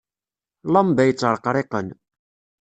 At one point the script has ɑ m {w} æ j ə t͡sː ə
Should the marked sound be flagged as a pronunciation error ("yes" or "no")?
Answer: yes